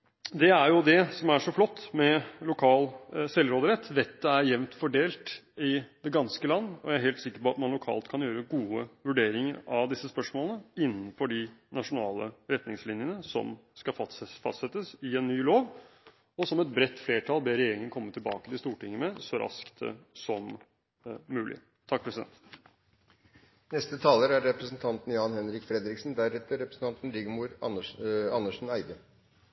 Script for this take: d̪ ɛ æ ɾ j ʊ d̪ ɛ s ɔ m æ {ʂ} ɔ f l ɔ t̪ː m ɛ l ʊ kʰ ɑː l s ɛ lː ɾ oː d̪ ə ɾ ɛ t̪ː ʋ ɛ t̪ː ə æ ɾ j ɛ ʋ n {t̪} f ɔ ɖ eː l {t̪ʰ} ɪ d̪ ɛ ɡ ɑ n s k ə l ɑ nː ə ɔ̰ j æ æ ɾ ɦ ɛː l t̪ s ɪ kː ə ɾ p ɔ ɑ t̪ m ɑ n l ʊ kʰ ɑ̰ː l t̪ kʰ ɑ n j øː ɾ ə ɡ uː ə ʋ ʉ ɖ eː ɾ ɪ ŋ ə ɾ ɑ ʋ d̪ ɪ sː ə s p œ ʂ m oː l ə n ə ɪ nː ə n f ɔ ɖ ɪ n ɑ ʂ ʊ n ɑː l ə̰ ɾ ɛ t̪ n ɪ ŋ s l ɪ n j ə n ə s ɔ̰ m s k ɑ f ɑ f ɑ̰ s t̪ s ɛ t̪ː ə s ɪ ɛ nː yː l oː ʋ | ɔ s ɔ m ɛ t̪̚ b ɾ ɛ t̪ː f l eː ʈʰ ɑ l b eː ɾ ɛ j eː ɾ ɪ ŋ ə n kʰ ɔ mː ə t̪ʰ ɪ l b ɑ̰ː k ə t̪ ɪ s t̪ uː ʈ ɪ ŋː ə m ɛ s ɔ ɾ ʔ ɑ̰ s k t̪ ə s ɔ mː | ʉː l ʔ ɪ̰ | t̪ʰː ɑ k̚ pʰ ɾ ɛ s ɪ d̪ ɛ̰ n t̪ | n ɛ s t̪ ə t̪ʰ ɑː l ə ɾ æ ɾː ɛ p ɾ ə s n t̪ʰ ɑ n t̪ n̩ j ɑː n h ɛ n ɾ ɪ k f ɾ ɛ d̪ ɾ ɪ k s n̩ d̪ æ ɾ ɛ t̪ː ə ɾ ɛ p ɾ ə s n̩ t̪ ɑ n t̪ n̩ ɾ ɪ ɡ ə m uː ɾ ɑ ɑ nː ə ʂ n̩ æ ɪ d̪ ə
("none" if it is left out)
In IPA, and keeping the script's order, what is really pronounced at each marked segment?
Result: ʂ, t̪, t̪

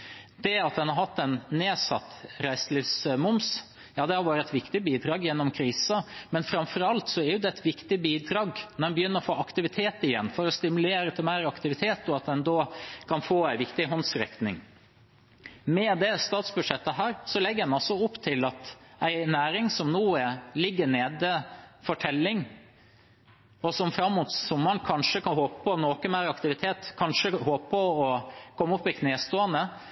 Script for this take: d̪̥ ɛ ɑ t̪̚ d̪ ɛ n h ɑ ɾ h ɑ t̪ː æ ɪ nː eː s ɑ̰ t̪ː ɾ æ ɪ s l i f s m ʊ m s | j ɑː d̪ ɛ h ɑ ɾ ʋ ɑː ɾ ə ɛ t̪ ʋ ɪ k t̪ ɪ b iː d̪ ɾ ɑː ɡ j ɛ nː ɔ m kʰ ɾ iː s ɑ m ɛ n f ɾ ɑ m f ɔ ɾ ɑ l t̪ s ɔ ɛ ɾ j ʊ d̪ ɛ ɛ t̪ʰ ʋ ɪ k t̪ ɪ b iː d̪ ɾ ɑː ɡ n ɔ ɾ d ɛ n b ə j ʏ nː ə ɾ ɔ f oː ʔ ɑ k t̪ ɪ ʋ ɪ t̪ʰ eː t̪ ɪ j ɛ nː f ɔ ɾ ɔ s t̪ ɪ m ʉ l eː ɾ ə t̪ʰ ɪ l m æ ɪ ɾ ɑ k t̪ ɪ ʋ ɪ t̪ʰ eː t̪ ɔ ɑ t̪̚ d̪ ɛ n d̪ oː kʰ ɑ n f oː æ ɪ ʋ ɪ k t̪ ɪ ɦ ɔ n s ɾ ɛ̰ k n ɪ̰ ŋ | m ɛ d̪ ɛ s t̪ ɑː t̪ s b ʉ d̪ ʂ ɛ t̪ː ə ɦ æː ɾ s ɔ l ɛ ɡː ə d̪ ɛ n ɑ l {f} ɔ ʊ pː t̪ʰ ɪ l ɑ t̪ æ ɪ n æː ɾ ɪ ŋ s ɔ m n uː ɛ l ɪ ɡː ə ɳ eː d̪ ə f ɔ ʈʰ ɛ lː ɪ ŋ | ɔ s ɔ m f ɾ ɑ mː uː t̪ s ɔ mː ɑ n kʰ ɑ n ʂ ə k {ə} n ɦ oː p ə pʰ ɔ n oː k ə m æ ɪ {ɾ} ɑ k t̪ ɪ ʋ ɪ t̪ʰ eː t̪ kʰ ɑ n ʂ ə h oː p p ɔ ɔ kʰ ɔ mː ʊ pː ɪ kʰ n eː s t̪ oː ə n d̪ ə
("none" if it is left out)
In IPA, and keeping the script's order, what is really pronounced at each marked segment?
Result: s, ɑ, ɾ

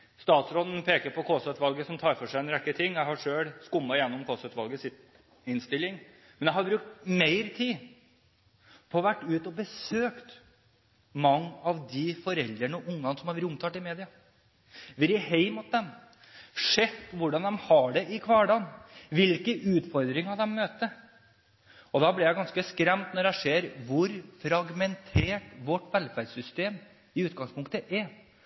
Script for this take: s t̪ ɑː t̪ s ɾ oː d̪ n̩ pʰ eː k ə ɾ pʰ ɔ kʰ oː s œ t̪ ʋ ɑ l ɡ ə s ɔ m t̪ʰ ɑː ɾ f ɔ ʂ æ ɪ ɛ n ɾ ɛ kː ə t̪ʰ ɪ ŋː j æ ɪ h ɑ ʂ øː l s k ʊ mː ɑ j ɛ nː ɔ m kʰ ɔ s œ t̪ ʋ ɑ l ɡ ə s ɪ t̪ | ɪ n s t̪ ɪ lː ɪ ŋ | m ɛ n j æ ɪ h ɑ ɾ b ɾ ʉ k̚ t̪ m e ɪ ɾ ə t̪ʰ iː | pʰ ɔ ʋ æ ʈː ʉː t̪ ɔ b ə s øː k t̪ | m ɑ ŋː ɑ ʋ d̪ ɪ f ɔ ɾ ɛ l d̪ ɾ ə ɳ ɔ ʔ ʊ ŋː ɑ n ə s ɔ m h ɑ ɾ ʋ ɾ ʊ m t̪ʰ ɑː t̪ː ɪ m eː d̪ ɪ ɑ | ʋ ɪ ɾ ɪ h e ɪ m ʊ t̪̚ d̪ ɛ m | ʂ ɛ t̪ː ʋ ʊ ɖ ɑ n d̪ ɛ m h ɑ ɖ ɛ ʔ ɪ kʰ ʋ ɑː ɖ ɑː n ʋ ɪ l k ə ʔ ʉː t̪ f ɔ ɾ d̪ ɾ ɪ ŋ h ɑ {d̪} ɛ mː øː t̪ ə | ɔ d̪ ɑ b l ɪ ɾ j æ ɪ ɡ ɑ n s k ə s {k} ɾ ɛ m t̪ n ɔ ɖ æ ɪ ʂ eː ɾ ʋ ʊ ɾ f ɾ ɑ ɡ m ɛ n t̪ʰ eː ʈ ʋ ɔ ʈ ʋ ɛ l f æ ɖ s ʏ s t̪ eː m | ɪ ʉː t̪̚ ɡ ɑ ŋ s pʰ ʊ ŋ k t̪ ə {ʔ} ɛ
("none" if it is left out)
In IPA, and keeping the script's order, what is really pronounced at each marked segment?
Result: d̪, k, ʔ

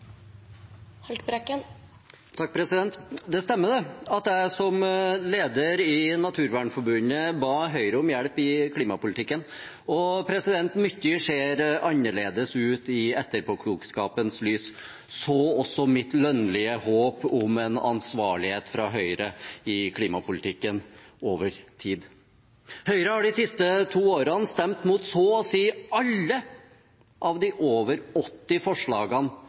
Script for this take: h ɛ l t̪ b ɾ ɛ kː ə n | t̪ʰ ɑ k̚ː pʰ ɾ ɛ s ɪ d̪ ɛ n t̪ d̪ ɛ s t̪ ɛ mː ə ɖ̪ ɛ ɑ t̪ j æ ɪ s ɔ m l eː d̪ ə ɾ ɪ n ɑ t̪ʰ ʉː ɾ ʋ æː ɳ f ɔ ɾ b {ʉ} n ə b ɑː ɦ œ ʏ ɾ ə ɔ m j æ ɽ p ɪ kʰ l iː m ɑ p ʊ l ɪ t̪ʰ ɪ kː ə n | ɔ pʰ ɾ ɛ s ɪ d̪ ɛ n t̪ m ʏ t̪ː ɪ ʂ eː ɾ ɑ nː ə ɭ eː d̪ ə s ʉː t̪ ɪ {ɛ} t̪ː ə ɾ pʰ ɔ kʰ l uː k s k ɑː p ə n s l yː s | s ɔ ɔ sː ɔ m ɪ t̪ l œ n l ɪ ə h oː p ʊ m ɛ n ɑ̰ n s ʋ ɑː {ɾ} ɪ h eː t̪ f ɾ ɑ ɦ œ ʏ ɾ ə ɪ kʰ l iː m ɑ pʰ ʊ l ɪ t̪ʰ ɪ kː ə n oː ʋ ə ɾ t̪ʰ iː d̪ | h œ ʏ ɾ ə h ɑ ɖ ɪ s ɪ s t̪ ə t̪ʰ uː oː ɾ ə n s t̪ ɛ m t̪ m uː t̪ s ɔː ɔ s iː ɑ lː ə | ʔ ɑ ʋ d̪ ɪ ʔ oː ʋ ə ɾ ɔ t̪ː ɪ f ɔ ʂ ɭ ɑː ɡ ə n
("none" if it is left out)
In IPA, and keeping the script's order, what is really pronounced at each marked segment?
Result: ʉ, ɛ, ɭ

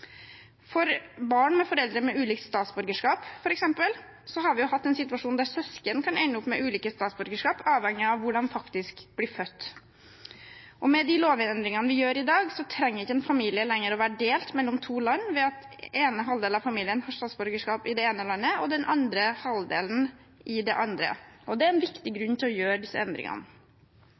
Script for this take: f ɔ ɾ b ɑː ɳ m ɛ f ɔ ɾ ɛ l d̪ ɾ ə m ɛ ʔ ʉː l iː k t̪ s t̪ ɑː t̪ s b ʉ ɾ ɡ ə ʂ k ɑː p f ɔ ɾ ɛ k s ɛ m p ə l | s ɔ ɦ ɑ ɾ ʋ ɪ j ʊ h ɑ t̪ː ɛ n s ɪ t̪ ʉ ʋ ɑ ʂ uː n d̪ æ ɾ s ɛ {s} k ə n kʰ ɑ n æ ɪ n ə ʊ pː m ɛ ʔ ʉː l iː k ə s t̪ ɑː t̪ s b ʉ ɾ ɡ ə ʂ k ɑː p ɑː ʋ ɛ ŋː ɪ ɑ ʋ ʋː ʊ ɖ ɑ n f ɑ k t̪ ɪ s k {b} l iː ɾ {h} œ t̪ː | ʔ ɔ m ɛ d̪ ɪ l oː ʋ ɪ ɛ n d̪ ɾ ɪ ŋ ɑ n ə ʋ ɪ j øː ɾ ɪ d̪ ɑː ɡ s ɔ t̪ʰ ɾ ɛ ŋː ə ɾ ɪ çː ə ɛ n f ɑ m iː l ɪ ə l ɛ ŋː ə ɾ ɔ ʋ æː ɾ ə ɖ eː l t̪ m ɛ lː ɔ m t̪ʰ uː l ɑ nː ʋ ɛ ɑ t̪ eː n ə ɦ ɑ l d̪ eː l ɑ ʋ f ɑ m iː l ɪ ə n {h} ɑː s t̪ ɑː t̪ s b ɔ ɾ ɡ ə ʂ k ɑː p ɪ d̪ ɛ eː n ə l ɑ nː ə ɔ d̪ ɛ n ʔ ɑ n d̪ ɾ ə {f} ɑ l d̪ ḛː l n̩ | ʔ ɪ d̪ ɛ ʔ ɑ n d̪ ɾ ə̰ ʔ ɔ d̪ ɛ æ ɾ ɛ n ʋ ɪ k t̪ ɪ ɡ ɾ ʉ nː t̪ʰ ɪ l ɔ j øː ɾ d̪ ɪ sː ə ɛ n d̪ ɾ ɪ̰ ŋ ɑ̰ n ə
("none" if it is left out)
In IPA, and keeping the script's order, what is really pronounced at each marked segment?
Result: s, b, f, h, h

